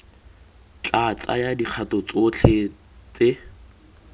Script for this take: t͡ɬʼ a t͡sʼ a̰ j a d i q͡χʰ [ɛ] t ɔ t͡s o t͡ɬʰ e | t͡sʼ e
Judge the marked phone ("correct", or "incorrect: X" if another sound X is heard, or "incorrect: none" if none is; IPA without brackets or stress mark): incorrect: a